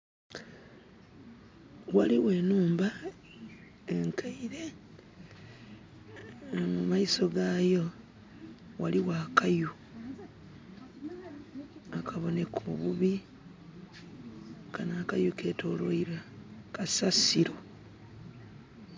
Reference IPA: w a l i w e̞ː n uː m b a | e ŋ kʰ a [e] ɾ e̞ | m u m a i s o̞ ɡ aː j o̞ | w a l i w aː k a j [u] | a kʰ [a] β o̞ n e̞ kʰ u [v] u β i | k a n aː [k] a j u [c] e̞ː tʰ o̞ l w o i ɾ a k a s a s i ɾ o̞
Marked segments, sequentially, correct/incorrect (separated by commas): incorrect, correct, correct, incorrect, correct, incorrect